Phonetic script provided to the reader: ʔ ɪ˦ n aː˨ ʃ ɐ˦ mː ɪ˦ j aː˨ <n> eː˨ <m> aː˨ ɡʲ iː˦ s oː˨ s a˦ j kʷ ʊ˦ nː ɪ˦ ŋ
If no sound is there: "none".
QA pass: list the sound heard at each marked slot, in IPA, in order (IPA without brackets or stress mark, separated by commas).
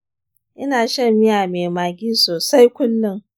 m, m